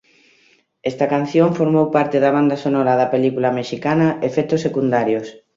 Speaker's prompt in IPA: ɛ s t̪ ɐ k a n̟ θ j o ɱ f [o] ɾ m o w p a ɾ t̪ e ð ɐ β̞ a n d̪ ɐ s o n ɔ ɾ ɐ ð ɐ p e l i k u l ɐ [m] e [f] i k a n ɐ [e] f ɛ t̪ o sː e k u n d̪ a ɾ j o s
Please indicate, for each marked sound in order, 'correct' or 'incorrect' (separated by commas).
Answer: correct, correct, incorrect, correct